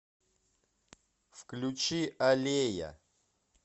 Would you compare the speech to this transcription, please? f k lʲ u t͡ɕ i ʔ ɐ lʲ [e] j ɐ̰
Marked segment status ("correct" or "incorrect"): correct